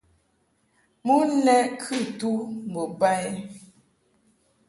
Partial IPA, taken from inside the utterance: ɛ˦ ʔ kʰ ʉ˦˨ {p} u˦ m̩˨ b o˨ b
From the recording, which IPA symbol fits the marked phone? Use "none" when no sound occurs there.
t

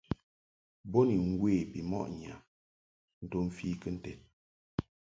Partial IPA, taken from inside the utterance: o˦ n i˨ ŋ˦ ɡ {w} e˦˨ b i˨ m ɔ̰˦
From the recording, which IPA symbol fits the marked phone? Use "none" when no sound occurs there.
w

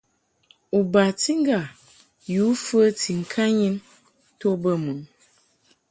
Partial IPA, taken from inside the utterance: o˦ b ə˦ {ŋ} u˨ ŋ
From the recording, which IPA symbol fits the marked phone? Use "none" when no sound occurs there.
m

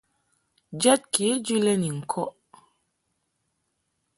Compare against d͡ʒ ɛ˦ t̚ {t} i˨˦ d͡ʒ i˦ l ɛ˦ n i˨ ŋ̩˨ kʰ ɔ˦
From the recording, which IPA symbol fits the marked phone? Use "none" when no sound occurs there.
k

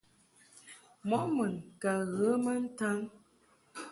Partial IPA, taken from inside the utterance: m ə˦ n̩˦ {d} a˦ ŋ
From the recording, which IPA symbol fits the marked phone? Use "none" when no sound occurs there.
t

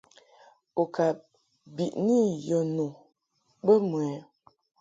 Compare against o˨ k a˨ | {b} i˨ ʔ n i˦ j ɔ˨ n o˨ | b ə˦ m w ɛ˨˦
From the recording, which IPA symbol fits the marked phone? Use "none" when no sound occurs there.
b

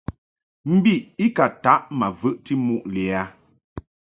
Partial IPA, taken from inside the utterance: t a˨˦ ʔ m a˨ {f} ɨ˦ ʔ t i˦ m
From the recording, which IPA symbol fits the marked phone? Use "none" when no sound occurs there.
v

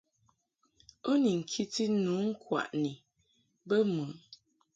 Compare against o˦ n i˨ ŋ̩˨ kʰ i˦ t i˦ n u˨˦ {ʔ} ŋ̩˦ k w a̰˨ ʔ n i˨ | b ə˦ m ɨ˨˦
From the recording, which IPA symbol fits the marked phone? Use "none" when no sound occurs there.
none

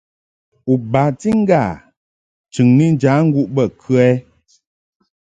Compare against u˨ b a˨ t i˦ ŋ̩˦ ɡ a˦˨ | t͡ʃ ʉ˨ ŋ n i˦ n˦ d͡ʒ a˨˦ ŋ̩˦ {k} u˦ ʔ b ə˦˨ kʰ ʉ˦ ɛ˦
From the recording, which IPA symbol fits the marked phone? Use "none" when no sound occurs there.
ɡ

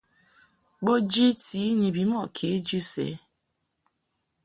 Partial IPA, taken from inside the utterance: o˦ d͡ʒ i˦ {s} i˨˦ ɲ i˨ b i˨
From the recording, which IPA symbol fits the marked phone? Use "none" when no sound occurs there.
t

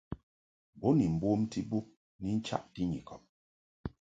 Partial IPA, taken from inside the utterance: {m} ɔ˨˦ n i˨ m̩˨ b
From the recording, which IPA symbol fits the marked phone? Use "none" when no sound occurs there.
b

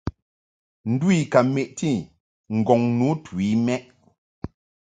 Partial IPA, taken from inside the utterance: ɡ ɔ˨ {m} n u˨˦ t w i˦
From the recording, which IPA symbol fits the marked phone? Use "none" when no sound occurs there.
ŋ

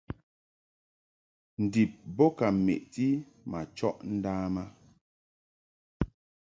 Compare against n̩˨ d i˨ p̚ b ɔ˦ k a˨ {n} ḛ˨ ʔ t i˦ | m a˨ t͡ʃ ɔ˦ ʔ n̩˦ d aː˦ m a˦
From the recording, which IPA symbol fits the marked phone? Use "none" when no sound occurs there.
m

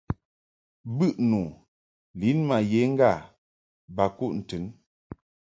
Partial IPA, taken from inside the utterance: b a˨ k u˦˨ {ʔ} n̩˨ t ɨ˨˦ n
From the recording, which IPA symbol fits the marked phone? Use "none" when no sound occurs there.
ʔ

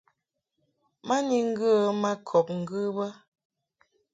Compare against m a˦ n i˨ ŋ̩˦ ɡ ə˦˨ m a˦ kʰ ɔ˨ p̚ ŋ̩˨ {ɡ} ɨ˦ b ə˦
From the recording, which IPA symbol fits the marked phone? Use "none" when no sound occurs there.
ɡ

